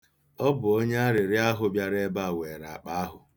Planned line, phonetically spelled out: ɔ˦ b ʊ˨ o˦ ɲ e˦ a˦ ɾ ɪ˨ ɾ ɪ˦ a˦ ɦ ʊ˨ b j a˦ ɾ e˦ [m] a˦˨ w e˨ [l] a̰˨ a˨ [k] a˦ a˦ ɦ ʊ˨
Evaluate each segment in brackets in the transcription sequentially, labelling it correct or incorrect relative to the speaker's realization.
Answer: incorrect: b, incorrect: ɾ, incorrect: k͡p

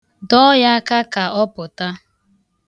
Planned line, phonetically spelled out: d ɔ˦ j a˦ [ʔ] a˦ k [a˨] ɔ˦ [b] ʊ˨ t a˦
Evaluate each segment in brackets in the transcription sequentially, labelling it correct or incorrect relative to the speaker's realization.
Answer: incorrect: k, correct, incorrect: p

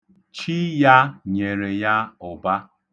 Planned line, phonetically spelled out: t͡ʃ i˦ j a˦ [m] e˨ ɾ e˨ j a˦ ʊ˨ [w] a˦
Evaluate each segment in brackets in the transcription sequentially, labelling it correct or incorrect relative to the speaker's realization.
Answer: incorrect: ɲ, incorrect: b

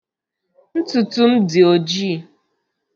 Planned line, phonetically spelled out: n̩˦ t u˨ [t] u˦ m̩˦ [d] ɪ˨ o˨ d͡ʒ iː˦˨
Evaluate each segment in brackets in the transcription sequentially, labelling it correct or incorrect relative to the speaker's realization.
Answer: correct, correct

